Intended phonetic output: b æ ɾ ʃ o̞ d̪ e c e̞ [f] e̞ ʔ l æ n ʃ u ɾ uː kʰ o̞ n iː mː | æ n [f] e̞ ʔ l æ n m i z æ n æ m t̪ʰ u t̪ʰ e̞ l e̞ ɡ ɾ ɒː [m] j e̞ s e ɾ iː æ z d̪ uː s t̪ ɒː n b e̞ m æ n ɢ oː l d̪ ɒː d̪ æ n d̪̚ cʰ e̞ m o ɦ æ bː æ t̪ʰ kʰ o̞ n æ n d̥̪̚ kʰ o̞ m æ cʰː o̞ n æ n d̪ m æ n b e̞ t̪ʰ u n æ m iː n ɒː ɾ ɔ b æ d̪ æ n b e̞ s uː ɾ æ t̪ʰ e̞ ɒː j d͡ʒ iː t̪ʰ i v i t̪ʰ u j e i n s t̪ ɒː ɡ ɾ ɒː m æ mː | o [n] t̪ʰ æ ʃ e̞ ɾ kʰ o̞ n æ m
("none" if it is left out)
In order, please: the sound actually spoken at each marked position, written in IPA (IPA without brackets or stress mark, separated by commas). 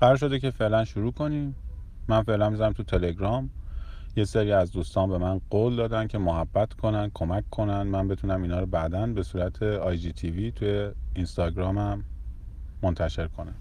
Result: f, f, m, n